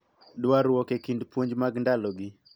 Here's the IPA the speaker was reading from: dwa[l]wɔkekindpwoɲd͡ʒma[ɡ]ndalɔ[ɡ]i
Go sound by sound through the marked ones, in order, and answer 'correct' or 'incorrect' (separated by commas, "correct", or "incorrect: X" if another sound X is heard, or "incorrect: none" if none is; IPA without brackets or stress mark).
incorrect: ɾ, correct, correct